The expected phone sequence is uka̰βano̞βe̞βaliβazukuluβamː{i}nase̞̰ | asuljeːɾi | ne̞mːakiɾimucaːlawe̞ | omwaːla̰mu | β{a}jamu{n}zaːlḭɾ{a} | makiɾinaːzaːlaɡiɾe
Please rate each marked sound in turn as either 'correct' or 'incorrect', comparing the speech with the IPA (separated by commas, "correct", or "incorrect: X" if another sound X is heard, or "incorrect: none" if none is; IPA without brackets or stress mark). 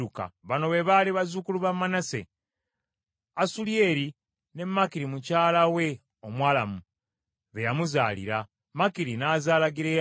incorrect: a, incorrect: e, incorrect: none, correct